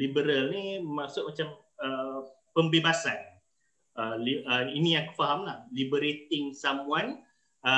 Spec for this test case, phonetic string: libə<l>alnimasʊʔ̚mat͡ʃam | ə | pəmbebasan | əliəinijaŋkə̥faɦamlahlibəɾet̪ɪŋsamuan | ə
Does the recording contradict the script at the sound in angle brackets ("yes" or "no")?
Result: yes